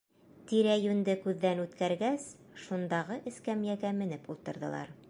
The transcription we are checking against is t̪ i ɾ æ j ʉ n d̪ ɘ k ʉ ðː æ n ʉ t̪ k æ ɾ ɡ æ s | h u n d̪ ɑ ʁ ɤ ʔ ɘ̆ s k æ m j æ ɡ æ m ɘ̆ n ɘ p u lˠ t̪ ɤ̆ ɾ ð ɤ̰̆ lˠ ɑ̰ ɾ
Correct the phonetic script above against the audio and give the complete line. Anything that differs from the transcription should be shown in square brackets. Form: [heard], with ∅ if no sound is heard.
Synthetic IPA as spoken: t̪ i ɾ æ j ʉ n d̪ ɘ k ʉ ðː æ n ʉ t̪ k æ ɾ ɡ æ s | [ʃ] u n d̪ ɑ ʁ ɤ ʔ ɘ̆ s k æ m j æ ɡ æ m ɘ̆ n ɘ p u lˠ t̪ ɤ̆ ɾ ð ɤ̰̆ lˠ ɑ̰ ɾ